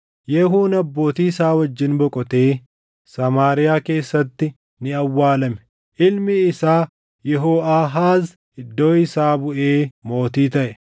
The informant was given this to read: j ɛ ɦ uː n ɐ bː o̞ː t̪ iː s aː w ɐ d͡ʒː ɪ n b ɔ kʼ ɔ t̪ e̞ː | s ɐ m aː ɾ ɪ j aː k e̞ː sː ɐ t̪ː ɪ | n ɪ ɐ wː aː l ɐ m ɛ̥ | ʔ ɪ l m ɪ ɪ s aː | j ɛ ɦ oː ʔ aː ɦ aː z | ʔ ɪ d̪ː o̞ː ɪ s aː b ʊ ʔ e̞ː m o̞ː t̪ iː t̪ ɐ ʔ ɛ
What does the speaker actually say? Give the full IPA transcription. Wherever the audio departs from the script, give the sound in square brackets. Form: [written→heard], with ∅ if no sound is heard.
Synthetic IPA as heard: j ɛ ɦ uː n ɐ bː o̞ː t̪ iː s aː w ɐ d͡ʒː ɪ n b ɔ kʼ ɔ t̪ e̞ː | s ɐ m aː ɾ ɪ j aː k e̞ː sː ɐ t̪ː ɪ | n ɪ ɐ wː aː l ɐ m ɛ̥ | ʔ ɪ l m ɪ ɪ s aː | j ɛ ɦ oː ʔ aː ɦ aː z | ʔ ɪ d̪ː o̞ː ɪ s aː b ʊ ʔ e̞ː m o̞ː t̪ iː t̪ ɐ ʔ ɛ